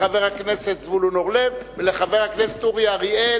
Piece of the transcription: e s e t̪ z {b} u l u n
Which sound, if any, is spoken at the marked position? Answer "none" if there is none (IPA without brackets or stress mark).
v